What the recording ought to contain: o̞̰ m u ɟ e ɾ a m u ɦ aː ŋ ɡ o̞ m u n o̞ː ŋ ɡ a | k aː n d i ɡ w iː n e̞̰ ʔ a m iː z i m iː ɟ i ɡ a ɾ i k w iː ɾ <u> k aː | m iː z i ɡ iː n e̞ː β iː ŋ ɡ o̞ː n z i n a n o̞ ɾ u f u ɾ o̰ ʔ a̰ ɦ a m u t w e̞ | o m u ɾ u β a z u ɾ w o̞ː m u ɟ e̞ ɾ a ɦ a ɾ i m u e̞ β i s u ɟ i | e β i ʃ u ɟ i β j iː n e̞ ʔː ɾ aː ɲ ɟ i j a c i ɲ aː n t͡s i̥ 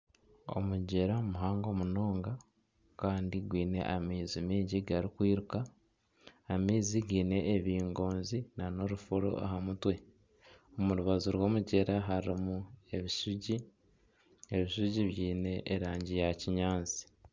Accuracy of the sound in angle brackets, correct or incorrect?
correct